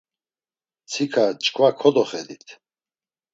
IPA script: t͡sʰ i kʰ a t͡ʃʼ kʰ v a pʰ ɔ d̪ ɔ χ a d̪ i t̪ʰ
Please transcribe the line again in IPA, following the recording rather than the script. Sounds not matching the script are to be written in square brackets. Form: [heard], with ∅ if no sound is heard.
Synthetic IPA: t͡sʰ i kʰ a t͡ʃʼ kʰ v a [kʰ] ɔ d̪ ɔ χ [ɛ] d̪ i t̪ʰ